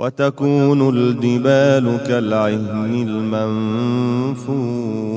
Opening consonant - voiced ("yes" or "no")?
yes